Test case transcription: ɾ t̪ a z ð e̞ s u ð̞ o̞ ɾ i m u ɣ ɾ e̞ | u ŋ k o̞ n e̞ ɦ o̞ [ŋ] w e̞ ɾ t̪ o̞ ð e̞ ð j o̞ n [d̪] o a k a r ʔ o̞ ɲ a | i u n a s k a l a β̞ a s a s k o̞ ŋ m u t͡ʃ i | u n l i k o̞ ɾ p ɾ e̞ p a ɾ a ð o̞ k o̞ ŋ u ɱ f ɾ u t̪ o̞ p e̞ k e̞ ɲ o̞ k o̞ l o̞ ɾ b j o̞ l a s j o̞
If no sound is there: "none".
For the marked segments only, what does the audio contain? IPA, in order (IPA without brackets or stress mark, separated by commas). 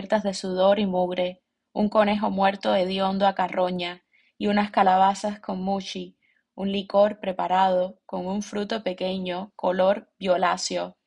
m, d̪